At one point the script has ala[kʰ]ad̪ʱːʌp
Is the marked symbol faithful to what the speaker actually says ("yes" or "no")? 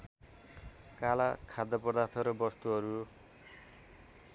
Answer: yes